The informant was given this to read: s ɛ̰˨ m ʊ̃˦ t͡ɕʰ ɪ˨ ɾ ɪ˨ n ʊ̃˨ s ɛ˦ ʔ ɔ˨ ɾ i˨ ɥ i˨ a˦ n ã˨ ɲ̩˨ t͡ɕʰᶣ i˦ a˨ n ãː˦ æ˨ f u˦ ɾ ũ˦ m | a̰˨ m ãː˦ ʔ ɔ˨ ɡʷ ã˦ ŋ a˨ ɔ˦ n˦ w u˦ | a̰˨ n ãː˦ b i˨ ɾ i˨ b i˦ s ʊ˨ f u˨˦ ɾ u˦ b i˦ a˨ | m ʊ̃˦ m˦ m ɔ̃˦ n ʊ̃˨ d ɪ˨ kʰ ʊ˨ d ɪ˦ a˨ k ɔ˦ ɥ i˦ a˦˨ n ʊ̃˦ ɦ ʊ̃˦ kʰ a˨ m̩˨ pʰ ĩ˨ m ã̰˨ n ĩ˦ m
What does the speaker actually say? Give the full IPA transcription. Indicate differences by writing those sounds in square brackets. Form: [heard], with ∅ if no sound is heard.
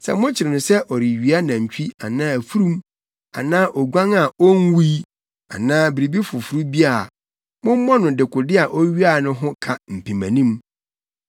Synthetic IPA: s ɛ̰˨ m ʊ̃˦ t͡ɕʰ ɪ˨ ɾ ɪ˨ n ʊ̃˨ s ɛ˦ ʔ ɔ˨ ɾ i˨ ɥ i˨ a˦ n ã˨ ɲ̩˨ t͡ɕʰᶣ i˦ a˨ n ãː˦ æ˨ f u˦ ɾ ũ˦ m | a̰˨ [n] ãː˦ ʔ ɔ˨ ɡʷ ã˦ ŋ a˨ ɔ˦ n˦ w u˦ | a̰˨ n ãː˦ b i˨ ɾ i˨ b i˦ [f] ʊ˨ f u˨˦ ɾ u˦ b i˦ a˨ | m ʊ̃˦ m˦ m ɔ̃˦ n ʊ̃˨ d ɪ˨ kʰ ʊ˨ d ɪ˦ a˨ [ʔ] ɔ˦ ɥ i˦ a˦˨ n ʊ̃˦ ɦ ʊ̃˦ kʰ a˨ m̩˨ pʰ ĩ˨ m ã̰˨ n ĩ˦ m